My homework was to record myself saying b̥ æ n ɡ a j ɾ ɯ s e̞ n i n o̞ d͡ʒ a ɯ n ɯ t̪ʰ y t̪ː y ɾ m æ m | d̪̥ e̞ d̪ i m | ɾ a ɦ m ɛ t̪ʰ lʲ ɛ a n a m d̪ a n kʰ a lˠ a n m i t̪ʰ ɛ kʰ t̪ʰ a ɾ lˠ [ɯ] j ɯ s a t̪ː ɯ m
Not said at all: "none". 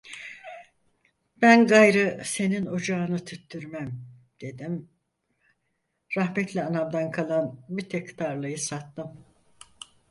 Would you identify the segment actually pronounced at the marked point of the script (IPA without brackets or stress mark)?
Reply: ɯ